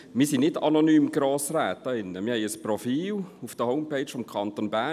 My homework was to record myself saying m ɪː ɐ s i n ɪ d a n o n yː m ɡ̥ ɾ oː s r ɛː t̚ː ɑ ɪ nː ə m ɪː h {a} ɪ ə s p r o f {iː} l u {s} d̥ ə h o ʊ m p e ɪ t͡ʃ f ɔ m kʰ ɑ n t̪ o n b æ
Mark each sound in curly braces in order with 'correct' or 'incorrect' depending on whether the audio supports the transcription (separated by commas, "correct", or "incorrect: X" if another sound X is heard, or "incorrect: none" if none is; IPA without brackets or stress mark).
incorrect: ɛ, correct, incorrect: f